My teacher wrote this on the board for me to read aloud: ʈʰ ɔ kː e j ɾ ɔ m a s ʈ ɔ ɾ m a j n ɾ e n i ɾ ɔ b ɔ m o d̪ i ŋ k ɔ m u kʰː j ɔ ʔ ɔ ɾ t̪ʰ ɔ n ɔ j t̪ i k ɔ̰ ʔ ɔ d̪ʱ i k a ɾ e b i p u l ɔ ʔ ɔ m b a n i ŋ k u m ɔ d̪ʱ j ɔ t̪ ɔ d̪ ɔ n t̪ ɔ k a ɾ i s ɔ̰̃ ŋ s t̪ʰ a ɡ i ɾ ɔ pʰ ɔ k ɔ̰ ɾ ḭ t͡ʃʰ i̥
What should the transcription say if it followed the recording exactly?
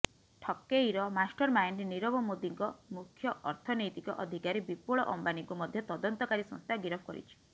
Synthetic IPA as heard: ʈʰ ɔ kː e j ɾ ɔ m a s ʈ ɔ ɾ m a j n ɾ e n i ɾ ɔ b ɔ m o d̪ i ŋ k ɔ m u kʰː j ɔ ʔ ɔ ɾ t̪ʰ ɔ n ɔ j t̪ i k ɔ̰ ʔ ɔ d̪ʱ i k a ɾ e b i p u ɭ ɔ ʔ ɔ m b a n i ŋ k u m ɔ d̪ʱ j ɔ t̪ ɔ d̪ ɔ n t̪ ɔ k a ɾ i s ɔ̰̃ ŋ s t̪ʰ a ɡ i ɾ ɔ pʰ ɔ k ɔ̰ ɾ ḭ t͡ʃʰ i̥